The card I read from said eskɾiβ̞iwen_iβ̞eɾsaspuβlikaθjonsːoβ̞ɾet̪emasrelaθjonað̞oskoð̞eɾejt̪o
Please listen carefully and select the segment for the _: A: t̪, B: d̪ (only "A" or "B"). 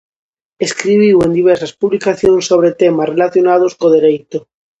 B